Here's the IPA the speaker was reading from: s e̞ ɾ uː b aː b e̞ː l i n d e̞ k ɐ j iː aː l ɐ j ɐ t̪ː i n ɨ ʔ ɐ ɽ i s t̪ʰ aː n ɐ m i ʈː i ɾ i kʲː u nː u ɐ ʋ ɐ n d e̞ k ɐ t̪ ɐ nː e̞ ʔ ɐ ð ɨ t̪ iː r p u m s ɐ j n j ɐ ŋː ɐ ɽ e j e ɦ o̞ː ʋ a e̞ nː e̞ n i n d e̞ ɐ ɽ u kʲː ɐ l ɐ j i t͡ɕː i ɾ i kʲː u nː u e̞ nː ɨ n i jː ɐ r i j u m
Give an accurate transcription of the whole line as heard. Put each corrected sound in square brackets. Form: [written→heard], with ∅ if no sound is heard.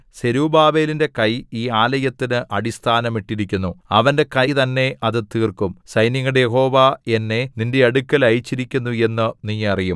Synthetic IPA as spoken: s e̞ ɾ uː b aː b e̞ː l i n d e̞ k ɐ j iː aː l ɐ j ɐ t̪ː i n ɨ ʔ ɐ ɽ i s t̪ʰ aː n ɐ m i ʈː i ɾ i kʲː u nː u ɐ ʋ ɐ n d e̞ k ɐ t̪ ɐ nː e̞ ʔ ɐ ð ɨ t̪ iː r [p→k] u m s ɐ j n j ɐ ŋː ɐ ɽ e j e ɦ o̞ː ʋ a e̞ nː e̞ n i n d e̞ ɐ ɽ u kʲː ɐ l ɐ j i t͡ɕː i ɾ i kʲː u nː u e̞ nː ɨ n i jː ɐ r i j u m